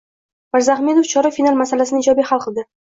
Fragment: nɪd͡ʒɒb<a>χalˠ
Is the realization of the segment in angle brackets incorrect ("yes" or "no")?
yes